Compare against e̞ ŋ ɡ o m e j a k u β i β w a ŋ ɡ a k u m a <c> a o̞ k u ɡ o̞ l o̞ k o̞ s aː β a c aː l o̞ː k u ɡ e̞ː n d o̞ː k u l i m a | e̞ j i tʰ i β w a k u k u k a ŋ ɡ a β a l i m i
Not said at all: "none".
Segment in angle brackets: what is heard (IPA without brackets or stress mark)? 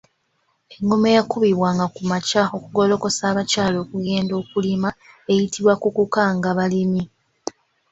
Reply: c